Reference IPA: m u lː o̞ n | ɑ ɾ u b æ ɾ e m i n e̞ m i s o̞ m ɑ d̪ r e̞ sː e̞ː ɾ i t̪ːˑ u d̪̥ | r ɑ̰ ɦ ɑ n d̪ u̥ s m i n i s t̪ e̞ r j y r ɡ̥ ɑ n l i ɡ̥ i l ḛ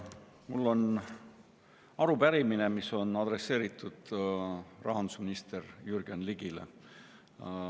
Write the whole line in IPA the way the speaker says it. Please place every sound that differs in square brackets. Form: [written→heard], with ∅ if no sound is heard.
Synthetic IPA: m u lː o̞ n | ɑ ɾ u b æ ɾ [e→i] m i n e̞ m i s o̞ [m→n] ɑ d̪ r e̞ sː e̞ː ɾ i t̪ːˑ u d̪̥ | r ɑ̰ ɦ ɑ n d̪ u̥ s m i n i s t̪ e̞ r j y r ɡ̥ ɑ n l i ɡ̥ i l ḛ

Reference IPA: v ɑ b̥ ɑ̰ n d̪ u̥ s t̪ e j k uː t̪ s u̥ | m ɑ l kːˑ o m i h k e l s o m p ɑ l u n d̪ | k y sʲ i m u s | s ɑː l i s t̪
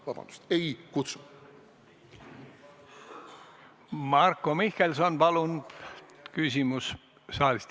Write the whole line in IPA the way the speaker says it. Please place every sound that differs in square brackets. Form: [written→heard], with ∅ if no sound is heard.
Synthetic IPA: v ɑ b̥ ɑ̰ n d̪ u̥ s t̪ e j k [uː→u] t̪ s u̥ | m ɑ [l→r] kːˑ o m i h k e l s o [m→n] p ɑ l u n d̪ | k y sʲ i m u s | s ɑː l i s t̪

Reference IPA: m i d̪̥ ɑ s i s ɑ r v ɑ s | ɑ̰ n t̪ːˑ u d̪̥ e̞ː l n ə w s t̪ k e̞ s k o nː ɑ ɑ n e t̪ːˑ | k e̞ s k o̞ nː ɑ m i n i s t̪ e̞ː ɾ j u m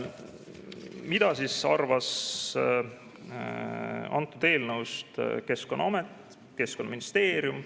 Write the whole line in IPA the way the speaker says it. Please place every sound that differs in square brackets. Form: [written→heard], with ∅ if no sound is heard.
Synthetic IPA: m i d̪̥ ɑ s i s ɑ r v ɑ s | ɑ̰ n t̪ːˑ u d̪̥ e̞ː l n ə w s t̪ k e̞ s k o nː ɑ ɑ [n→m] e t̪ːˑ | k e̞ s k o̞ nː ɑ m i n i s t̪ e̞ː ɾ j u m

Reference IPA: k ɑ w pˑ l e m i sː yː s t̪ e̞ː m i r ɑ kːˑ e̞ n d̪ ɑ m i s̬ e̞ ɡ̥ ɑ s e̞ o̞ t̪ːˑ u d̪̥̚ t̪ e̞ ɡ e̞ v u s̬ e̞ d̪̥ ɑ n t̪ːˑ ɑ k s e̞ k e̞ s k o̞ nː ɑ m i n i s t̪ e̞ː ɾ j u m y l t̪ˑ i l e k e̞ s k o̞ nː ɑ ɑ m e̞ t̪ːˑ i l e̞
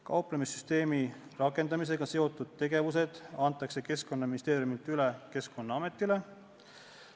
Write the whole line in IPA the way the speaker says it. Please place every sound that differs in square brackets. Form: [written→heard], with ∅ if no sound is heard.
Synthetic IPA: k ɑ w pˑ l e m i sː [yː→y] s t̪ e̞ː m i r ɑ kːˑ e̞ n d̪ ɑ m i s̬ e̞ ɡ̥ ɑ s e̞ o̞ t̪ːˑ u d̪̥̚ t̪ e̞ ɡ e̞ v u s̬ e̞ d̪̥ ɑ n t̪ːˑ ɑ k s e̞ k e̞ s k o̞ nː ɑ m i n i s t̪ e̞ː ɾ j u m [y→i] l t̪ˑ [i→y] l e k e̞ s k o̞ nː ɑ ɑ m e̞ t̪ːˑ i l e̞

